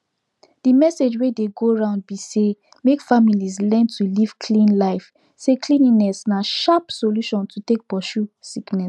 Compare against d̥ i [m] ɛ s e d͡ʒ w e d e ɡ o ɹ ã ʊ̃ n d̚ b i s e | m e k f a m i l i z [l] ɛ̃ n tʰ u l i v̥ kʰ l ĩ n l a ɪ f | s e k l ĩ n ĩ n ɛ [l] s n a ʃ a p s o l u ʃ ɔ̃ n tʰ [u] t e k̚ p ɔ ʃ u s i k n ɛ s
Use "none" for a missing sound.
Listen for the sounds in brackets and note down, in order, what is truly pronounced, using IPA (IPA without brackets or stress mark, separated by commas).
m, l, none, u